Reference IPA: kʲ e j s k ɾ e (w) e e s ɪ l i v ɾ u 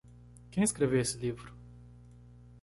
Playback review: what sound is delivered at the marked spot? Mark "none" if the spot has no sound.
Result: v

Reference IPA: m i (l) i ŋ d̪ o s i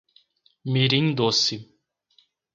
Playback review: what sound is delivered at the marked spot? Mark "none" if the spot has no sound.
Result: ɾ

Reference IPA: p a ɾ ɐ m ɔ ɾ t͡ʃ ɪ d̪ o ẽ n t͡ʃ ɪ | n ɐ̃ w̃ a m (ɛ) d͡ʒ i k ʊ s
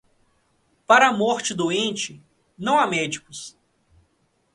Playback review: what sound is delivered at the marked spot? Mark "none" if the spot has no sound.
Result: ɛ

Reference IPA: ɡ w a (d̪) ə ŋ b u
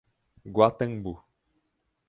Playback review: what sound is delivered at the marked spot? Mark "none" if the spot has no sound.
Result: t̪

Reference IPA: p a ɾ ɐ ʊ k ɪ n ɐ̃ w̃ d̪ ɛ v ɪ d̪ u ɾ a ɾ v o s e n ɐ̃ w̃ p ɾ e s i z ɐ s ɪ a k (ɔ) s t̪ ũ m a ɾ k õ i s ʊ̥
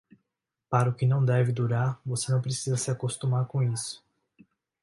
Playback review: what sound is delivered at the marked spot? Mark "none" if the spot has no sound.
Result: o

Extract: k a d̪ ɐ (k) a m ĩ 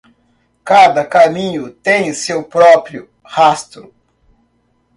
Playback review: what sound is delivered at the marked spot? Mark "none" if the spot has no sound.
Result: k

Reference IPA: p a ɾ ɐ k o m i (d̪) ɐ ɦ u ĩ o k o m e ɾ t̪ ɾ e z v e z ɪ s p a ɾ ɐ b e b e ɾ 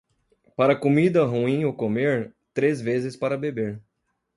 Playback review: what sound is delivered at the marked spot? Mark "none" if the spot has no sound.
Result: d̪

